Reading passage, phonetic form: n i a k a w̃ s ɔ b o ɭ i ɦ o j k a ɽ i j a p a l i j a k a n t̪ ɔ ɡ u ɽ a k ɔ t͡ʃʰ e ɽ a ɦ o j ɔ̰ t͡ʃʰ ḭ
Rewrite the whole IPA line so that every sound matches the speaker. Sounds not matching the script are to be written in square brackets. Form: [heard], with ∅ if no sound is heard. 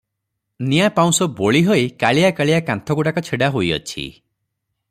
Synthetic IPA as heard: n i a [p] a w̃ s ɔ b o ɭ i ɦ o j k a [ɭ] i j a [k] a [ɭ] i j a k a n [t̪ʰ] ɔ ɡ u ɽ a k ɔ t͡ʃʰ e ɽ a ɦ o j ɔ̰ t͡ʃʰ ḭ